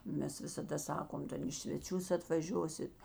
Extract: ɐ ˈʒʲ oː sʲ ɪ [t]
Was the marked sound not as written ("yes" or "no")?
no